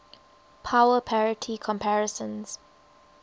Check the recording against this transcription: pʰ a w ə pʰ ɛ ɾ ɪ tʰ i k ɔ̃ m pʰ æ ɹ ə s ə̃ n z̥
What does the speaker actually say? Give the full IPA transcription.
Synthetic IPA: pʰ a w ə pʰ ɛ ɹ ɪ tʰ i kʰ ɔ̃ m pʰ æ ɹ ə s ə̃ n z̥